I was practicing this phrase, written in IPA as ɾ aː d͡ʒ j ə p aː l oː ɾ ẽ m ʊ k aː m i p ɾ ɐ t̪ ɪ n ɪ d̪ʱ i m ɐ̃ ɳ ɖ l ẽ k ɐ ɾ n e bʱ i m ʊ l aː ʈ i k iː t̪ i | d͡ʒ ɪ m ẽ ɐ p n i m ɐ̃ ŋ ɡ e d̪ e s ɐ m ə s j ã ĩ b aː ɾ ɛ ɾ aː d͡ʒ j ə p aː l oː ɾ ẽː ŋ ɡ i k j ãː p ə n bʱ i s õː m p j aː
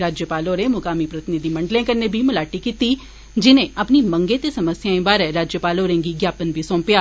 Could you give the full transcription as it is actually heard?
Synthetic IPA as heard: ɾ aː d͡ʒ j ə p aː l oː ɾ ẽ m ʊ k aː m i p ɾ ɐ t̪ ɪ n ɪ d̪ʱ i m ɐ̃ ɳ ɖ l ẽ k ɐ ɾ n e bʱ i m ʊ l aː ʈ i k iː t̪ i | d͡ʒ ɪ n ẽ ɐ p n i m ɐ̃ ŋ ɡ e t̪ e s ɐ m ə s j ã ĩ b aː ɾ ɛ ɾ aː d͡ʒ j ə p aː l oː ɾ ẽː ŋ ɡ i ɡ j aː p ə n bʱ i s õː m p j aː